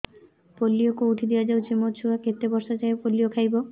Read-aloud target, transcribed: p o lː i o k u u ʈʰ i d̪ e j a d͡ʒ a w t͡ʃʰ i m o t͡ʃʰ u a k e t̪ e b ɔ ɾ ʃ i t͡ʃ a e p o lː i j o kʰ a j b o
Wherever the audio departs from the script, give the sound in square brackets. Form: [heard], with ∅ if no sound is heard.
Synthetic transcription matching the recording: p o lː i o k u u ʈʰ i d̪ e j a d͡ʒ a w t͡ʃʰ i m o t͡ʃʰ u a k e t̪ e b ɔ ɾ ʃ [a] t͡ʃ a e p o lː i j o kʰ a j b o